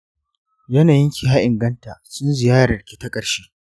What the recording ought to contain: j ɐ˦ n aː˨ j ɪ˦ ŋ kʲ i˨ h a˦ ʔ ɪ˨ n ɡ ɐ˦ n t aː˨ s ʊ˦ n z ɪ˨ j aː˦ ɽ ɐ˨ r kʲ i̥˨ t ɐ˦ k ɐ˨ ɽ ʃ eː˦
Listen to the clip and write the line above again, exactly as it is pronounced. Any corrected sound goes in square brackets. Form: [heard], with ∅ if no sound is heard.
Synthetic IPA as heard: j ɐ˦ n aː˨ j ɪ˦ ŋ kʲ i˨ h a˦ ʔ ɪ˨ [ŋ] ɡ ɐ˦ n t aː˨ s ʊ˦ n z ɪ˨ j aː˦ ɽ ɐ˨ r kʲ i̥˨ t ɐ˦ [kʼ] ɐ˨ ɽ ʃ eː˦